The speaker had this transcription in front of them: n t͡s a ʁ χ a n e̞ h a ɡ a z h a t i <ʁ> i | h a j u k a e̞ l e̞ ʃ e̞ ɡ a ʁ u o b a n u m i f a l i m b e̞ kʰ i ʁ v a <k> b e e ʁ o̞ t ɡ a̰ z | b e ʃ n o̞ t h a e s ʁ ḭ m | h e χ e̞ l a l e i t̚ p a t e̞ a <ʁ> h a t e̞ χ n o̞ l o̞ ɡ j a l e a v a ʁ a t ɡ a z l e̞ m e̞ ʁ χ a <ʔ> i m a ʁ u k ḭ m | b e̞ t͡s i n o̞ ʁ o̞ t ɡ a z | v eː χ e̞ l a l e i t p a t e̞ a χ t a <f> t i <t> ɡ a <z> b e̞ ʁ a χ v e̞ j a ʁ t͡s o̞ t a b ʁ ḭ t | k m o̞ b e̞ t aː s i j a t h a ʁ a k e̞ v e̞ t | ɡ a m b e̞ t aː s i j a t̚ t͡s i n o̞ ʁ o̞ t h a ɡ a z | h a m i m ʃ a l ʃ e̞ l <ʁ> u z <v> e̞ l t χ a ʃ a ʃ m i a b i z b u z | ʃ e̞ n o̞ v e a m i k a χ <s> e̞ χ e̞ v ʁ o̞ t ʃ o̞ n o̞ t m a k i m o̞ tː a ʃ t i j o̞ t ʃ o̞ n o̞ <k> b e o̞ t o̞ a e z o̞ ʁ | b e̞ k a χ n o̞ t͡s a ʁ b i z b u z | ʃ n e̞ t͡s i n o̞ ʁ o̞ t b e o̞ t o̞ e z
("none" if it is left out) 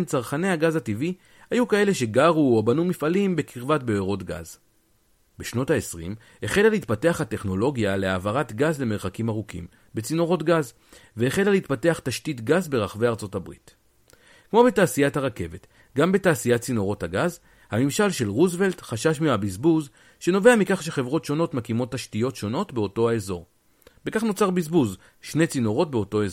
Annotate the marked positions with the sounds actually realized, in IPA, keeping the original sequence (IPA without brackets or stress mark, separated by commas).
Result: v, t, χ, k, ʃ, t, z, ʁ, v, ʃ, t